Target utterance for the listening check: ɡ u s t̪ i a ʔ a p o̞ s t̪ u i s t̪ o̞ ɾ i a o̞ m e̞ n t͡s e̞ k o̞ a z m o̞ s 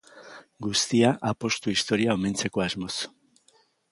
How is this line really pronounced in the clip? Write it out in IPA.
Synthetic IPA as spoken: ɡ u s t̪ i a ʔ a p o̞ s t̪ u i s t̪ o̞ ɾ i a o̞ m e̞ n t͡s e̞ k o̞ a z m o̞ s